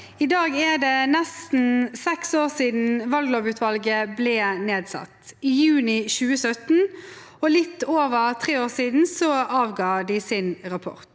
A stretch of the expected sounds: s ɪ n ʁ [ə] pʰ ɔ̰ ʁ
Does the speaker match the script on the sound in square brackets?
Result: no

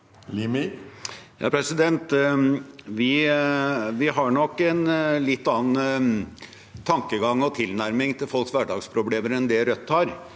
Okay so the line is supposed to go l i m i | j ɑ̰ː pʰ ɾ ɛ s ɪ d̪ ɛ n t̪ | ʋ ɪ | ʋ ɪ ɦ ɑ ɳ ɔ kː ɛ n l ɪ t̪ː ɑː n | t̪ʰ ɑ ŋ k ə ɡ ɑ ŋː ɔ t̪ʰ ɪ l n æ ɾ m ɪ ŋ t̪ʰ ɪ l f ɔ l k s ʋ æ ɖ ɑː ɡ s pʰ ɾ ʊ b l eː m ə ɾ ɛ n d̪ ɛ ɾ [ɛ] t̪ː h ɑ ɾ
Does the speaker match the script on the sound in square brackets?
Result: no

